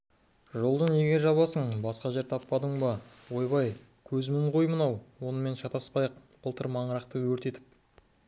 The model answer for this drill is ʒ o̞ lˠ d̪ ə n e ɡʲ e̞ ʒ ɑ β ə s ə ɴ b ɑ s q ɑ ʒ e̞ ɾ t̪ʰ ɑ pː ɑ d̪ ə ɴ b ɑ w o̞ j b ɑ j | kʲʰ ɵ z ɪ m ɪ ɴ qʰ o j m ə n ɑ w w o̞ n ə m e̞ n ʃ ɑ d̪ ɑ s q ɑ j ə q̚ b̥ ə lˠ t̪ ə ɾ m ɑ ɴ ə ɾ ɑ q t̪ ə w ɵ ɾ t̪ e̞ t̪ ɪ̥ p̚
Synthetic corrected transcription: ʒ o̞ lˠ d̪ ə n e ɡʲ e̞ ʒ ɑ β ɑ s ə ɴ b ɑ s q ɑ ʒ e̞ ɾ t̪ʰ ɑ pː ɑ d̪ ə ɴ b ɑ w o̞ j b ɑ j | kʲʰ ɵ z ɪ m ɪ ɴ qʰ o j m ə n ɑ w w o̞ n ə m e̞ n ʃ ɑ t̪ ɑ s p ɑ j ə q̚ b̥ ə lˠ t̪ ə ɾ m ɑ ɴ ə ɾ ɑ q t̪ ə w ɵ ɾ t̪ e̞ t̪ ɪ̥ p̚